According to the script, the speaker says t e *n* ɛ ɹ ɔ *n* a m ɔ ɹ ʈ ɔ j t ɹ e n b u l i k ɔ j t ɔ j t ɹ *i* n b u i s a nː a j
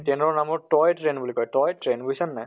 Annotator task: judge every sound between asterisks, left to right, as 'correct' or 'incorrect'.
correct, correct, incorrect: e

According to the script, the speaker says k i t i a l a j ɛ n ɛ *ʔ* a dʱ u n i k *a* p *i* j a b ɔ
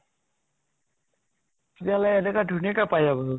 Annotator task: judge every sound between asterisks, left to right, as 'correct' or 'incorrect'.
incorrect: k, correct, incorrect: a

